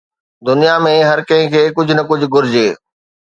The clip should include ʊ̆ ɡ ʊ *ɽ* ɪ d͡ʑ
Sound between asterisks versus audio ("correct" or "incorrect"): incorrect